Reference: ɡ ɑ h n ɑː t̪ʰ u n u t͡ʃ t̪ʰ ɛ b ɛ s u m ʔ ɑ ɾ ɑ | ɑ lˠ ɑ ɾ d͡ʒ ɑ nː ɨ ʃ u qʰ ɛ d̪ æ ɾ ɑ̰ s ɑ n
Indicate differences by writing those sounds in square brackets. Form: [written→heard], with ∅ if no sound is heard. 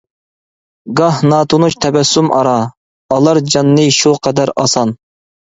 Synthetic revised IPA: ɡ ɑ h n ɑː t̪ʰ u n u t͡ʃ t̪ʰ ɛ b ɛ s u m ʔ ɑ ɾ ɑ | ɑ lˠ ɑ ɾ d͡ʒ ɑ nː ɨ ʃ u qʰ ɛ d̪ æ ɾ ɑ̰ s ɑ n